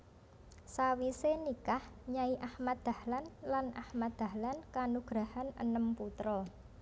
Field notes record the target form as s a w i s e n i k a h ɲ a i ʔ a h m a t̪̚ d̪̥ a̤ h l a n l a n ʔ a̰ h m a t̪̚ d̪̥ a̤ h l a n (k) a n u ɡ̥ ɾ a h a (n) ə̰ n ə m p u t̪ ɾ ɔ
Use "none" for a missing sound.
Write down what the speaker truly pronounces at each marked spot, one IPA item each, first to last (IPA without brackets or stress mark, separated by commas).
k, n